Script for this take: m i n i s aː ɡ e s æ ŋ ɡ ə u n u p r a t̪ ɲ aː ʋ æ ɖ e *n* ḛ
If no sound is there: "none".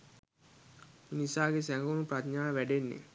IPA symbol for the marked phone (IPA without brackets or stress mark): nː